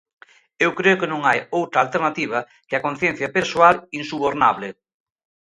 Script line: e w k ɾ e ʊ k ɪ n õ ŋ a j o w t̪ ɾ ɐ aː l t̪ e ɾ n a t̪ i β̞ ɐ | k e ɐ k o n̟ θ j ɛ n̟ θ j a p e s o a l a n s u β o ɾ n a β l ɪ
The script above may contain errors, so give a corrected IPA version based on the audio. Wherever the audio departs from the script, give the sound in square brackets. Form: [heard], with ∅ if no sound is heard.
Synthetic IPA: e w k ɾ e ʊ k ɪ n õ ŋ a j o w t̪ ɾ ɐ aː l t̪ e ɾ n a t̪ i β̞ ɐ | k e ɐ k o n̟ θ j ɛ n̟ θ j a p e s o a l [i] n s u β o ɾ n a β l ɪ